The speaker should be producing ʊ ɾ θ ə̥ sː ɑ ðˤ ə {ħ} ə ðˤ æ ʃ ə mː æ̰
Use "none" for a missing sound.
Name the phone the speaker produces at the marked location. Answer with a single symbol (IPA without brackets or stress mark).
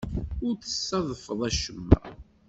f